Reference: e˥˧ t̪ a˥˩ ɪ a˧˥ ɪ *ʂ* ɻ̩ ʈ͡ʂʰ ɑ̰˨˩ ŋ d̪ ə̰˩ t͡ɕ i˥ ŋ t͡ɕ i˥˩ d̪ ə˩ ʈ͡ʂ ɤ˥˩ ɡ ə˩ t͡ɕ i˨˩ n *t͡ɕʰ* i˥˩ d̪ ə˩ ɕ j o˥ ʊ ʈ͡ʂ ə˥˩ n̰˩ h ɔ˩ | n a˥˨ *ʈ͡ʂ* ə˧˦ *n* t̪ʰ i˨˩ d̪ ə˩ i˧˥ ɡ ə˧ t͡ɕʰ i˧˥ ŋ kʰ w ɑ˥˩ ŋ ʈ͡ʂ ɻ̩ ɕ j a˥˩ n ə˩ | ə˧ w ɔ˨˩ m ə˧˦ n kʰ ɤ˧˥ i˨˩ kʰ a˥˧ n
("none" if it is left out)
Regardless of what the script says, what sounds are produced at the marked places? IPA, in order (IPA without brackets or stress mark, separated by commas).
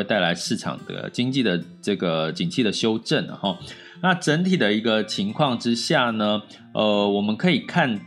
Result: ʂ, t͡ɕʰ, ʈ͡ʂ, n